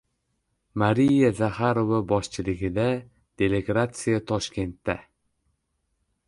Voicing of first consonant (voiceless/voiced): voiced